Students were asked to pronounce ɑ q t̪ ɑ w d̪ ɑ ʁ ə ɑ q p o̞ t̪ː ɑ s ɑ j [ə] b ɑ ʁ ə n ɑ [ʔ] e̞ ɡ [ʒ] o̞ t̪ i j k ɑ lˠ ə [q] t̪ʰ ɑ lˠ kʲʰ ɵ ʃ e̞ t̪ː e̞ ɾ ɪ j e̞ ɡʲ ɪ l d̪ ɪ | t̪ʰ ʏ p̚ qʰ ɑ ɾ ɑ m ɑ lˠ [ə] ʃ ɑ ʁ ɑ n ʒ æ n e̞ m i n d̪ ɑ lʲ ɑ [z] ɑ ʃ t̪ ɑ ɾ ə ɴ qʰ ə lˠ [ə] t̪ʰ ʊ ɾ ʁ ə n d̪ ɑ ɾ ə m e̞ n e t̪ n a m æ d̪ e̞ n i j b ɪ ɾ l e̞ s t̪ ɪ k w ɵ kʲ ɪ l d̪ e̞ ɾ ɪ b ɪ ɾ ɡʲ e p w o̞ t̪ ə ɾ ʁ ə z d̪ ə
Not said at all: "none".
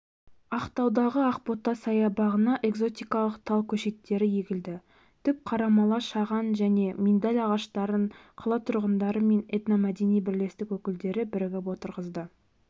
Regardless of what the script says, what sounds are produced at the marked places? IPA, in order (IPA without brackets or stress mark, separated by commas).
ɑ, ʔ, z, q, ɑ, ʁ, ɑ